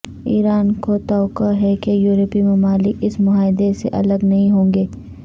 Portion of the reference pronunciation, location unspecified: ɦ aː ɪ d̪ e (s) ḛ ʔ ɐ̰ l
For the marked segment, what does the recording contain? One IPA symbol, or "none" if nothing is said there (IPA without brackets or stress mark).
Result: s